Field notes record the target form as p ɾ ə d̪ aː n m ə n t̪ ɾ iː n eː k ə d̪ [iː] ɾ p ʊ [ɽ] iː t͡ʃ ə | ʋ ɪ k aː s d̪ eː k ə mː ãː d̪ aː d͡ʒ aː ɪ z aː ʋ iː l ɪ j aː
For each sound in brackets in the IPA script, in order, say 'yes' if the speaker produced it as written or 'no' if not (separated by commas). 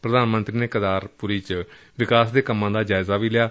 no, no